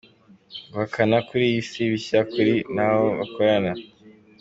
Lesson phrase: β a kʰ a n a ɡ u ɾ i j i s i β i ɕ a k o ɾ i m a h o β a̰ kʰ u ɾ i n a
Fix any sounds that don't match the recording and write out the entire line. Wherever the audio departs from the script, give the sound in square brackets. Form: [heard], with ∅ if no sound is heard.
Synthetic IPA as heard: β a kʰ a n a [k] u ɾ i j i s i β i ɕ a k [u] ɾ i [n] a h o β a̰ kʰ [o] ɾ [a] n a